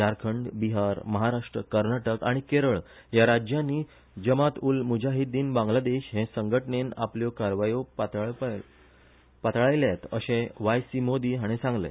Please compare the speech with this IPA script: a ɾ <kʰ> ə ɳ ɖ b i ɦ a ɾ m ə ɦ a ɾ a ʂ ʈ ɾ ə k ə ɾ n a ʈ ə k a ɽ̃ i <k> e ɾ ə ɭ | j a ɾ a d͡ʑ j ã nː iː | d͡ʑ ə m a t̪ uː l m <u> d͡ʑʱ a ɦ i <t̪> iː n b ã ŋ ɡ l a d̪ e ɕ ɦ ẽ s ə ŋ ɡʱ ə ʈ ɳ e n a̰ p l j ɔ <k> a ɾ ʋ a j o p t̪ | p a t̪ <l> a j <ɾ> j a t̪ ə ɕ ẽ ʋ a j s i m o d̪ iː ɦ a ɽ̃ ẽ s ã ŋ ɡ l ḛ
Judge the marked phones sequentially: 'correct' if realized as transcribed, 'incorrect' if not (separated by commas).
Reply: correct, correct, correct, incorrect, correct, incorrect, incorrect